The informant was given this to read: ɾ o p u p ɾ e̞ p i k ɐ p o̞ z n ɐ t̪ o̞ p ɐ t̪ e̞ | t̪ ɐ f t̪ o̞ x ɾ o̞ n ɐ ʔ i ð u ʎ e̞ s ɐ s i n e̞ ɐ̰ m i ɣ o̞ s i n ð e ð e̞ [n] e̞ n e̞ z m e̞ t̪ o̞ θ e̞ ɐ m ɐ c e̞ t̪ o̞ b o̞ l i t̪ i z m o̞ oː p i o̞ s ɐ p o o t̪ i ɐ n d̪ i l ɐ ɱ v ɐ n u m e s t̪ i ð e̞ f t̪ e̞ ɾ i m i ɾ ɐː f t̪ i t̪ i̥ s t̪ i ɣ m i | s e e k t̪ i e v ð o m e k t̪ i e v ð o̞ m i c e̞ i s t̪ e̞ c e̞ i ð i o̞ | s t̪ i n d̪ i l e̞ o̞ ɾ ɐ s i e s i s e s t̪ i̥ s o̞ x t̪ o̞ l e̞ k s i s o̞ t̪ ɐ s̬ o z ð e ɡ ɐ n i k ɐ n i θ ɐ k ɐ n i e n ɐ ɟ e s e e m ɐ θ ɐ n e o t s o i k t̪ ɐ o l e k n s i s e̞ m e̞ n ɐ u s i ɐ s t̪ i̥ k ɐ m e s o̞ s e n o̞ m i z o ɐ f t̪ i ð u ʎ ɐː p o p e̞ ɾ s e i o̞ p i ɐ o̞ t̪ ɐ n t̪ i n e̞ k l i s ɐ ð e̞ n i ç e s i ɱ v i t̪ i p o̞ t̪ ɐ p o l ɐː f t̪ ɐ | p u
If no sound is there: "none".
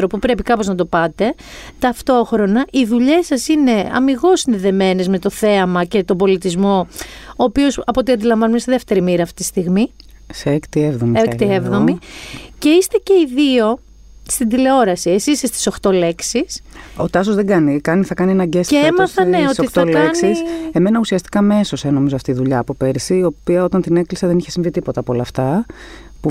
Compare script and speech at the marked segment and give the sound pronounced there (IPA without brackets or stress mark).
m